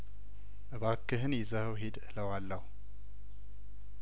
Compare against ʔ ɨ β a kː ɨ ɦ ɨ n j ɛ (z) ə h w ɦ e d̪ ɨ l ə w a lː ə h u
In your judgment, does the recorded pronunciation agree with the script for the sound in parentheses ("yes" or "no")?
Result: yes